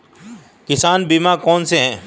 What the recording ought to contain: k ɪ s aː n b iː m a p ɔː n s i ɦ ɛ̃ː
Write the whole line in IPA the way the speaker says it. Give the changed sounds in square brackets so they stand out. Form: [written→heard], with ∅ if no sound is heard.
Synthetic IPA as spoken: k ɪ s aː n b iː m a [p→k] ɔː n s [i→e] ɦ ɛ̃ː